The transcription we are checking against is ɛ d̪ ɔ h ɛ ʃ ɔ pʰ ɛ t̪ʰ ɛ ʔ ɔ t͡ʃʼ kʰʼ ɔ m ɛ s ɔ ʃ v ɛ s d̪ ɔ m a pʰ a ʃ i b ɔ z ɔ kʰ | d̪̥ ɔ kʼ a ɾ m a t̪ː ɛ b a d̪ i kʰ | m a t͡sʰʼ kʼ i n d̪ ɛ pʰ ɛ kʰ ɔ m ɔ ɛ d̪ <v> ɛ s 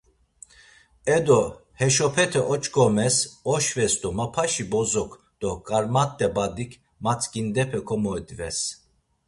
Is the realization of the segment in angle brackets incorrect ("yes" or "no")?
no